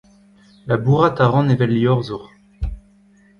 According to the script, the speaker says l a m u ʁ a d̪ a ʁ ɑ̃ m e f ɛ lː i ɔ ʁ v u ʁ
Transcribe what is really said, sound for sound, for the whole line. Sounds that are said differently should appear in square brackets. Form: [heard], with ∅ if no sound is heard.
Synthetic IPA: l a [b] u ʁ a [t̪] a ʁ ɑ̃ [n] e [v] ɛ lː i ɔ ʁ [z] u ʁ